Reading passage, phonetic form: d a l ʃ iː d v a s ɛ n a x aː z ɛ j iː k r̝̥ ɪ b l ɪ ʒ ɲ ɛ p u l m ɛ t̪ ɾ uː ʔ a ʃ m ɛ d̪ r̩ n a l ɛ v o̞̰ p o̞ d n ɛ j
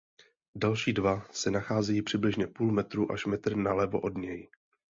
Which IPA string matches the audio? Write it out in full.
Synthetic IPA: d a l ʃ iː d v a s ɛ n a x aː z ɛ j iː p r̝̥ ɪ b l ɪ ʒ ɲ ɛ p uː l m ɛ t̪ ɾ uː ʔ a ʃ m ɛ t̪ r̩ n a l ɛ v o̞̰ ʔ o̞ d ɲ ɛ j

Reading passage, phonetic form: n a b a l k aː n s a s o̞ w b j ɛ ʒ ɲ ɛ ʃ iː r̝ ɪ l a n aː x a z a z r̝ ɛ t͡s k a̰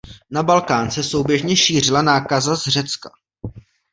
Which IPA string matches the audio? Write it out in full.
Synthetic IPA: n a b a l k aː n s ɛ s o̞ w b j ɛ ʒ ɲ ɛ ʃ iː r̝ ɪ l a n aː k a z a z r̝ ɛ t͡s k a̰

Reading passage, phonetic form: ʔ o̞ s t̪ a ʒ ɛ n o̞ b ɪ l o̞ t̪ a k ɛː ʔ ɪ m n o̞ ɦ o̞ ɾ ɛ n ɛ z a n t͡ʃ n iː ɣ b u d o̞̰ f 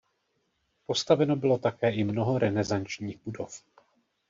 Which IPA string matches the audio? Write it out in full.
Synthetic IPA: p o̞ s t̪ a v ɛ n o̞ b ɪ l o̞ t̪ a k ɛː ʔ ɪ m n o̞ ɦ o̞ ɾ ɛ n ɛ z a n t͡ʃ ɲ iː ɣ b u d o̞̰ f

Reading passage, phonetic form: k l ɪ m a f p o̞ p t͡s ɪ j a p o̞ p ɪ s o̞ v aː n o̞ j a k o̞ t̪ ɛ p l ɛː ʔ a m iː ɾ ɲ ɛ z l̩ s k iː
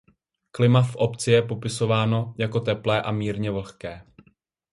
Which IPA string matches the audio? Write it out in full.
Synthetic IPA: k l ɪ m a f ʔ o̞ p t͡s ɪ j ɛ p o̞ p ɪ s o̞ v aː n o̞ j a k o̞ t̪ ɛ p l ɛː ʔ a m iː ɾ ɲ ɛ v l̩ x k ɛː

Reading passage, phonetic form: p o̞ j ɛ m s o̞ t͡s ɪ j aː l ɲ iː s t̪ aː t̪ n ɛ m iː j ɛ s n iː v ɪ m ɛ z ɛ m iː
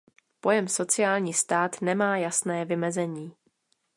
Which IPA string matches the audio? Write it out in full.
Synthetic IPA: p o̞ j ɛ m s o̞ t͡s ɪ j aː l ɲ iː s t̪ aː t̪ n ɛ m aː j a s n ɛː v ɪ m ɛ z ɛ ɲ iː

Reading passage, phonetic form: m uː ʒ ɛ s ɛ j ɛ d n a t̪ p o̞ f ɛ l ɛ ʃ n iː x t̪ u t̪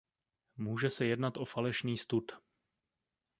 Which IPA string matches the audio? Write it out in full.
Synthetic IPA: m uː ʒ ɛ s ɛ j ɛ d n a t̪ ʔ o̞ f a l ɛ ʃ n iː s t̪ u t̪

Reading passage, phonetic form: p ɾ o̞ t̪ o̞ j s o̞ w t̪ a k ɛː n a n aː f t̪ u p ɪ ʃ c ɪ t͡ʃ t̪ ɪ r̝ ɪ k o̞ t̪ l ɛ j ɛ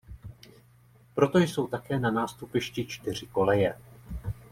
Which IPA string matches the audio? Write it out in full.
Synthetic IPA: p ɾ o̞ t̪ o̞ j s o̞ w t̪ a k ɛː n a n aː s t̪ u p ɪ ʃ c ɪ t͡ʃ t̪ ɪ r̝ ɪ k o̞ l ɛ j ɛ

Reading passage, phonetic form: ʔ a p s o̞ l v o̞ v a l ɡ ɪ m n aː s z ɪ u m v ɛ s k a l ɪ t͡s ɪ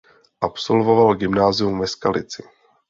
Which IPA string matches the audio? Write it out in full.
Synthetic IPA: ʔ a p s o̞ l v o̞ v a l ɡ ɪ m n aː z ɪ u m v ɛ s k a l ɪ t͡s ɪ

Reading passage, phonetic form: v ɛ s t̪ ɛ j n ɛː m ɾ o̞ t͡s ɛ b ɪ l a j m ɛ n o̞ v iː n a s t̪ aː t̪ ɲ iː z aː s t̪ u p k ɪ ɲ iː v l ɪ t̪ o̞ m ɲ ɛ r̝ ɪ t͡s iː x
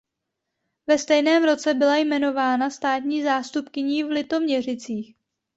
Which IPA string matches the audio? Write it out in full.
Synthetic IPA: v ɛ s t̪ ɛ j n ɛː m ɾ o̞ t͡s ɛ b ɪ l a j m ɛ n o̞ v aː n a s t̪ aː t̪ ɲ iː z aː s t̪ u p k ɪ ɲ iː v l ɪ t̪ o̞ m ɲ ɛ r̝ ɪ t͡s iː x

